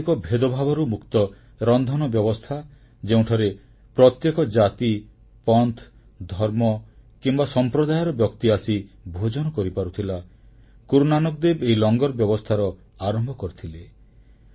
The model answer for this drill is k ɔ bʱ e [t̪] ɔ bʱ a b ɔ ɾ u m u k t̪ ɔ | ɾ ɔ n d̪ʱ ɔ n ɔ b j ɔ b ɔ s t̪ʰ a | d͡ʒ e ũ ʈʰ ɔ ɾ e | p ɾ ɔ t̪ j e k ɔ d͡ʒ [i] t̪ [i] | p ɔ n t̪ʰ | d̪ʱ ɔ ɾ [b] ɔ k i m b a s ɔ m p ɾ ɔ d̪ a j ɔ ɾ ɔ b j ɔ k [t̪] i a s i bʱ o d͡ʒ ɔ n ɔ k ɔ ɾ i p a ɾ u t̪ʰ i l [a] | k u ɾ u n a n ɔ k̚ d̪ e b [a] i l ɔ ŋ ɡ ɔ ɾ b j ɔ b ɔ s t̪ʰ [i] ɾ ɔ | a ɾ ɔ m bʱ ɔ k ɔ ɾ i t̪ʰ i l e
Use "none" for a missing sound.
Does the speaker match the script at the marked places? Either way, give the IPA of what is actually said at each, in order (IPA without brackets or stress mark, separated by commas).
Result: d̪, a, i, m, t̪, a, e, a